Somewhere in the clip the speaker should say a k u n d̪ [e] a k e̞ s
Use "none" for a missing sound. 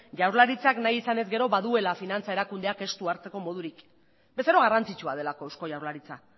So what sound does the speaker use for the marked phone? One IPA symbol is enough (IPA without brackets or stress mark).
e